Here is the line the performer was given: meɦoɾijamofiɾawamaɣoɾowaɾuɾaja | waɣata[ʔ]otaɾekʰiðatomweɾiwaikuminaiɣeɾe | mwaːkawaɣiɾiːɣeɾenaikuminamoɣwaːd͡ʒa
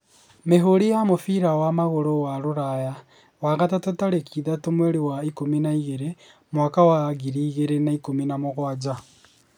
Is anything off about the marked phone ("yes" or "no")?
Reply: yes